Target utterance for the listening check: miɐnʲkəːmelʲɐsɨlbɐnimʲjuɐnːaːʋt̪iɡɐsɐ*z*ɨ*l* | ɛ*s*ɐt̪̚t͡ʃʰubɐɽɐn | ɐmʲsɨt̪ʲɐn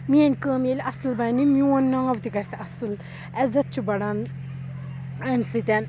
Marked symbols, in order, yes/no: no, yes, no

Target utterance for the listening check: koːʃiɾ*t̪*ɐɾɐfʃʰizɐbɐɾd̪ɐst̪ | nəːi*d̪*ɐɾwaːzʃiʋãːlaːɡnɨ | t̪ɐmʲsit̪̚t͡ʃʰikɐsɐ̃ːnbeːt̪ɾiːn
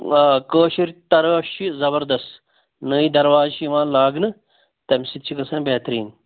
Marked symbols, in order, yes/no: yes, yes

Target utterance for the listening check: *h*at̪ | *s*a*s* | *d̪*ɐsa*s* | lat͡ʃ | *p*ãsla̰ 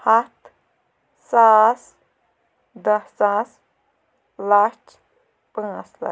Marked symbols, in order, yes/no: yes, yes, yes, yes, yes, yes

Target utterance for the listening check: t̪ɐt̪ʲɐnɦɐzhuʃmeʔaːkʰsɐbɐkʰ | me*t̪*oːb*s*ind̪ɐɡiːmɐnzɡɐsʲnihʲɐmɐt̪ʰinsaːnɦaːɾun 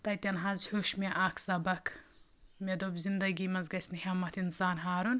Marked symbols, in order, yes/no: no, no

